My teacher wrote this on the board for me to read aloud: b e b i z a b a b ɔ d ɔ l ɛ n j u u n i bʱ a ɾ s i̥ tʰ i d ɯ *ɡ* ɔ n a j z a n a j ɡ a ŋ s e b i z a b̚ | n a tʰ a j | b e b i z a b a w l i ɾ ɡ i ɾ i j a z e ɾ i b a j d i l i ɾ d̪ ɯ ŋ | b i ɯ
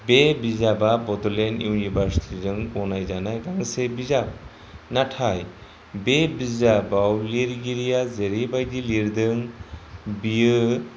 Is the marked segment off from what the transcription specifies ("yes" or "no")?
yes